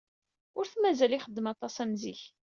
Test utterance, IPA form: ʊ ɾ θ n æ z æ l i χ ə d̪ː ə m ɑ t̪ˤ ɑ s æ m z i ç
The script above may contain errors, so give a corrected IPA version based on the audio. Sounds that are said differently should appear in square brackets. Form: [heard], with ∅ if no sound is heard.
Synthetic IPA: ʊ ɾ θ [m] æ z æ l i χ ə d̪ː ə m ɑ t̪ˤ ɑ s æ m z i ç